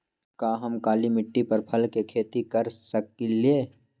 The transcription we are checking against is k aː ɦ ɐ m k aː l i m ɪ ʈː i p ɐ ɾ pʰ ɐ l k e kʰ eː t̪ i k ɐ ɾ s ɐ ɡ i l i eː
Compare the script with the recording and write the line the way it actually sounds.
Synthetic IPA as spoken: k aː ɦ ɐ m k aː l i m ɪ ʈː i p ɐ ɾ pʰ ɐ l k e kʰ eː t̪ i k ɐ ɾ s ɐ k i l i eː